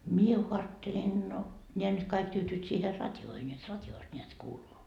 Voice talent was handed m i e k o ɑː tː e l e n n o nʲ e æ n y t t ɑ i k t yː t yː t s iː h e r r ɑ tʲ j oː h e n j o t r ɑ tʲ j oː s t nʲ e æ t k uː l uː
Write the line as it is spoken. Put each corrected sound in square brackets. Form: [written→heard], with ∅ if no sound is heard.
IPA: m i e k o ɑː tː e l e n n o nʲ e æ n y t [t→k] ɑ i k t yː t yː t s iː h e r r ɑ tʲ j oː h e n j o t r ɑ tʲ j oː s t nʲ e æ t k uː l uː